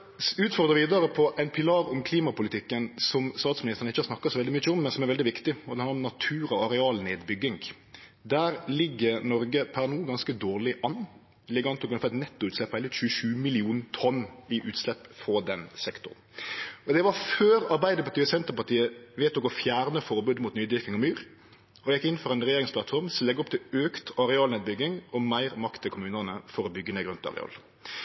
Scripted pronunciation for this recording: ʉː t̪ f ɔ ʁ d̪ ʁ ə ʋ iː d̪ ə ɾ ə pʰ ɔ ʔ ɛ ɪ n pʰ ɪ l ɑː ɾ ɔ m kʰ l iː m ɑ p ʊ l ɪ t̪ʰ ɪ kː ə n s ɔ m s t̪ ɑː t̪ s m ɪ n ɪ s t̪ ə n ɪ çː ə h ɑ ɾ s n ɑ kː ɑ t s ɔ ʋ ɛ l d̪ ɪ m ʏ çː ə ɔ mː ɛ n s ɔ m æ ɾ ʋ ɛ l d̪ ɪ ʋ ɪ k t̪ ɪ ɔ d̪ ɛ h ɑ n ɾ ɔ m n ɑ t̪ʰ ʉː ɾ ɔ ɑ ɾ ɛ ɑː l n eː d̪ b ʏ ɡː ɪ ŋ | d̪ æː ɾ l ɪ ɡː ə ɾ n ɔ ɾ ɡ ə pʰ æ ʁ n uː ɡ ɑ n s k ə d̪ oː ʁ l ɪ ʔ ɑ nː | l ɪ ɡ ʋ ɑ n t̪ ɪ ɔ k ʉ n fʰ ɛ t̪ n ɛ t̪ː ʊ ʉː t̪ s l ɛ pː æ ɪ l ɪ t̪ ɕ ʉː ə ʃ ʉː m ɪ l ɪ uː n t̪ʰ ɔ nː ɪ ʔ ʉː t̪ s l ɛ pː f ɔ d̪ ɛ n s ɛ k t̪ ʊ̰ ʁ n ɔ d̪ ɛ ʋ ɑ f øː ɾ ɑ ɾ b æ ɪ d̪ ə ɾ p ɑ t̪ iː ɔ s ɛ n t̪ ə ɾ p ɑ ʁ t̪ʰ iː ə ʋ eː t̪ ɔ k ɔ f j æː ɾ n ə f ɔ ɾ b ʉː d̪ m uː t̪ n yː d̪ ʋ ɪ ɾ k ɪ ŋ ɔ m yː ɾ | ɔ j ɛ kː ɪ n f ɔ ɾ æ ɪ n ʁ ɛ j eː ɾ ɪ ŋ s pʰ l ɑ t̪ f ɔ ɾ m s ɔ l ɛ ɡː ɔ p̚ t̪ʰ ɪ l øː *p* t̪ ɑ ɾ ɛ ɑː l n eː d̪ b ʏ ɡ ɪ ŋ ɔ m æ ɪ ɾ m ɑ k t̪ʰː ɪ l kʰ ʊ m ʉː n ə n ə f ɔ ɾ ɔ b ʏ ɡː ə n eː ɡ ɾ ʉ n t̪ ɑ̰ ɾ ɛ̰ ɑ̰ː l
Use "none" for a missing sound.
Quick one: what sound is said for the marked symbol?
k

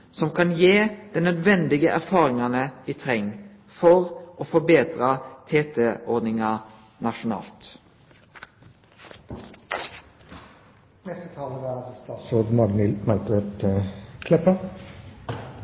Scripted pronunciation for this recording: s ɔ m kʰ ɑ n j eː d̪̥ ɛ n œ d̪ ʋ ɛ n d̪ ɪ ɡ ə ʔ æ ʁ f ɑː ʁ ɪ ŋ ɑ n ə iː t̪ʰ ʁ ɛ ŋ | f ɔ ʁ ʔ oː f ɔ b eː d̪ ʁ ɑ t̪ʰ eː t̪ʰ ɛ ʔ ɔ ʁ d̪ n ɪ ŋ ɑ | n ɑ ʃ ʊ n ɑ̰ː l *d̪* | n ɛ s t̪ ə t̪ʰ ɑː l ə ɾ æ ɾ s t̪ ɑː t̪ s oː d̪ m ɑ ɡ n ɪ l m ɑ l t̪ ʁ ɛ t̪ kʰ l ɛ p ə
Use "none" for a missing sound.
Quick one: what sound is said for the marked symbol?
t̪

